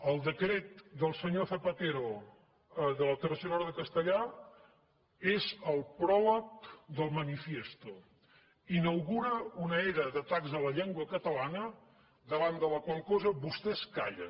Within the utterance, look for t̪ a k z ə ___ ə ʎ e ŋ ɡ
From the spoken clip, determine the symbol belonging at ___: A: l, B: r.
A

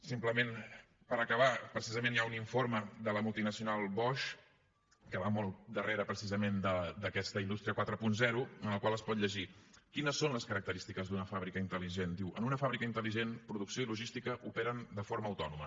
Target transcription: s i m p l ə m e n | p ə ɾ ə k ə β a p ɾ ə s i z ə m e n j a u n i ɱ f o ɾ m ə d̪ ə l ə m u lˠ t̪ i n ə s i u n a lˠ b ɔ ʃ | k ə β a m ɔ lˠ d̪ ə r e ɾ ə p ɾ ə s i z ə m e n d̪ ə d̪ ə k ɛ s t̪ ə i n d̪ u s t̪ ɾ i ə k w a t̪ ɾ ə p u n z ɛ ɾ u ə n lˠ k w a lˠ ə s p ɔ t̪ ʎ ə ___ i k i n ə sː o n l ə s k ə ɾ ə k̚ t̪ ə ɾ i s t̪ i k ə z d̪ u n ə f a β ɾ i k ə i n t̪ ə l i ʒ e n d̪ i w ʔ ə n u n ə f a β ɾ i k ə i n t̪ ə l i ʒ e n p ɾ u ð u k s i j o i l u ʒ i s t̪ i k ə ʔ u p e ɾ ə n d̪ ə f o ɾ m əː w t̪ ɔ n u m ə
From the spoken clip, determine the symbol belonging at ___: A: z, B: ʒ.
B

